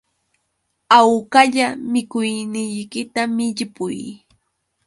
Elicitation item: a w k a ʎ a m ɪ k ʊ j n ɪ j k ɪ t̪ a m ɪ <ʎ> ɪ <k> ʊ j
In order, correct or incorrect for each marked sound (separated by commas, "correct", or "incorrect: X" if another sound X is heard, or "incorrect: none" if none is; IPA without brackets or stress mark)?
correct, incorrect: p